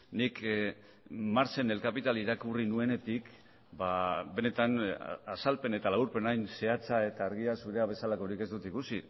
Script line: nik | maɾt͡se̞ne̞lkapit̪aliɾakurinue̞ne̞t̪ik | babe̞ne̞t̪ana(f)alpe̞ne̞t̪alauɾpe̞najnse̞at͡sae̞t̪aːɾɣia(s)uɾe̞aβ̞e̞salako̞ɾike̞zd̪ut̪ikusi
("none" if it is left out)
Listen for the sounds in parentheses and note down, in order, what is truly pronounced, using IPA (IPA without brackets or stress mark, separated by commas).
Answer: s, s